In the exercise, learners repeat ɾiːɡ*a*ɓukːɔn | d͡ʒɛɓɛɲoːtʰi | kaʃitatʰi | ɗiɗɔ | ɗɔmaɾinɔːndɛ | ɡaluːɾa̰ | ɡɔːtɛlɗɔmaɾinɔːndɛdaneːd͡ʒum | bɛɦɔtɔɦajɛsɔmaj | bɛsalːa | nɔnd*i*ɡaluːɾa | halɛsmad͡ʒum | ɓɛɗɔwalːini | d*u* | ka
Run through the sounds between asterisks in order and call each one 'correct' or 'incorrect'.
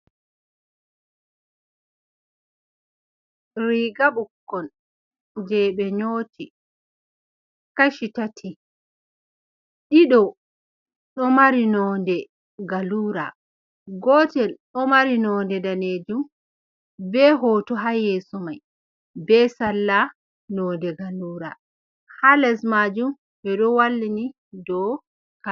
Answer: correct, incorrect: ɛ, incorrect: ɔ

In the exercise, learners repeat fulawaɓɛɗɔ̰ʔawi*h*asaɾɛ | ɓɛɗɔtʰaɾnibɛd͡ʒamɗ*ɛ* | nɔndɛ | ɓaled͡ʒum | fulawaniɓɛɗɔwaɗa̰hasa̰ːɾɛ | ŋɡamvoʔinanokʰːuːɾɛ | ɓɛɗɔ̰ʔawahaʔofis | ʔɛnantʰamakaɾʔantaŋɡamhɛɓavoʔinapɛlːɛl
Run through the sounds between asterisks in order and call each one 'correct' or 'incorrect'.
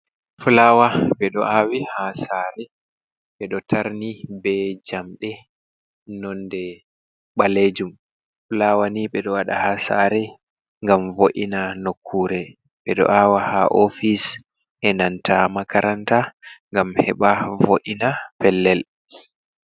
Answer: correct, correct

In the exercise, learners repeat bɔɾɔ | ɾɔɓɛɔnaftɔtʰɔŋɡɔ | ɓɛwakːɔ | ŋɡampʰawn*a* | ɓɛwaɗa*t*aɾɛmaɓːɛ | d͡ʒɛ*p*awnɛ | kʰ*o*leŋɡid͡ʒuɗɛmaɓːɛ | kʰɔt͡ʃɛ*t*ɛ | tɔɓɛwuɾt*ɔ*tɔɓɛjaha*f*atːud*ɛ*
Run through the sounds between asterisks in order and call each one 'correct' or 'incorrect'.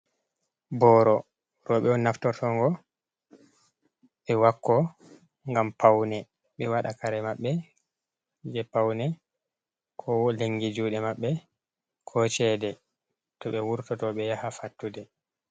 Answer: incorrect: ɛ, incorrect: k, correct, incorrect: ɔ, incorrect: d, correct, correct, correct

